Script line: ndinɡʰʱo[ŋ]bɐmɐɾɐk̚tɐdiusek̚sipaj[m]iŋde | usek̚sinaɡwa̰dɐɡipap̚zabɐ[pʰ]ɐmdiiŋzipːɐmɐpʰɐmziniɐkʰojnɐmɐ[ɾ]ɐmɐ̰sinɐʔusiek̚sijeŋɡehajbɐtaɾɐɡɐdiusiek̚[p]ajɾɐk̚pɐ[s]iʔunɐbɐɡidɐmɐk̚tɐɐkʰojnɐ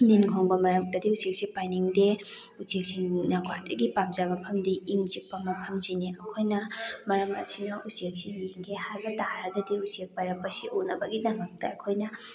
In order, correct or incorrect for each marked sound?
correct, incorrect: n, correct, correct, correct, correct

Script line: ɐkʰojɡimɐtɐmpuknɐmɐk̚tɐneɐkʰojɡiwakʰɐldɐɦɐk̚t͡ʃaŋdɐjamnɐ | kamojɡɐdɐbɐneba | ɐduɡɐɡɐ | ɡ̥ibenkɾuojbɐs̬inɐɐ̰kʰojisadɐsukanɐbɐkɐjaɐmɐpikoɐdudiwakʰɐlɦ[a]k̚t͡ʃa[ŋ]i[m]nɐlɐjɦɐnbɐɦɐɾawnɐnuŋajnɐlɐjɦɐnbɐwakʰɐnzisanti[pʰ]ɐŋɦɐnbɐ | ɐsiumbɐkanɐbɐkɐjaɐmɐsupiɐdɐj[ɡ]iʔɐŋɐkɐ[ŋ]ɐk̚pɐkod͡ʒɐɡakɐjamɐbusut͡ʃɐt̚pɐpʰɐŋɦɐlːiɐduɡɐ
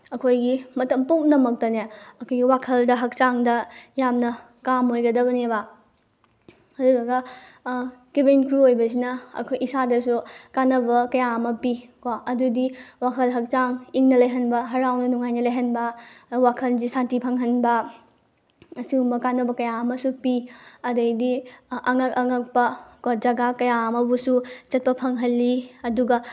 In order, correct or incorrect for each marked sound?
incorrect: ɐ, correct, incorrect: ŋ, correct, incorrect: d, correct

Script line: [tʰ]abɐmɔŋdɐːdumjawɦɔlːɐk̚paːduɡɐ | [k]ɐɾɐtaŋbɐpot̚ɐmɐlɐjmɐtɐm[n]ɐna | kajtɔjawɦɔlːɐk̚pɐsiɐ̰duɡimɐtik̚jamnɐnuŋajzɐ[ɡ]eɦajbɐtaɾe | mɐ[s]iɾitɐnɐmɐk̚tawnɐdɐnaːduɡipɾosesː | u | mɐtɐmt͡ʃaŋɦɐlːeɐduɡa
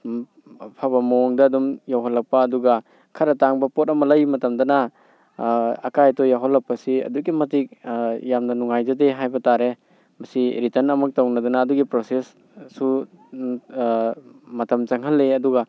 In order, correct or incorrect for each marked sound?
incorrect: pʰ, incorrect: kʰ, incorrect: d, incorrect: d, correct

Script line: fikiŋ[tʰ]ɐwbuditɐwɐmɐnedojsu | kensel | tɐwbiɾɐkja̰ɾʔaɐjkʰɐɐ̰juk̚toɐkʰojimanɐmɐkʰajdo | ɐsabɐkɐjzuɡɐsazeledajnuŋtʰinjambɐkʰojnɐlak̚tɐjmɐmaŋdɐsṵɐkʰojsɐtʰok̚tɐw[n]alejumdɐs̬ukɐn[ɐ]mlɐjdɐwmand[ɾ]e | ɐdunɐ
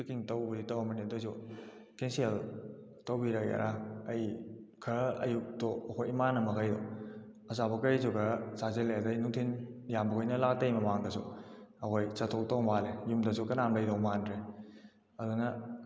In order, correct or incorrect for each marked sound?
incorrect: t, incorrect: m, incorrect: a, correct

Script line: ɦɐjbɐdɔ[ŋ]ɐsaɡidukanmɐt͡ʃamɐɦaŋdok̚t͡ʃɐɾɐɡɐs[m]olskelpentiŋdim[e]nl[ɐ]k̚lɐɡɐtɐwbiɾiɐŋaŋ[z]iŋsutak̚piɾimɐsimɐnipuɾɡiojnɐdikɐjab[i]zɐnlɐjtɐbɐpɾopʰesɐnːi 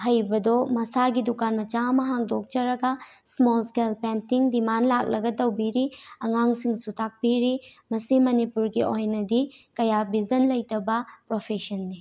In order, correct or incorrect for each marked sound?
incorrect: m, correct, incorrect: a, incorrect: a, incorrect: s, correct

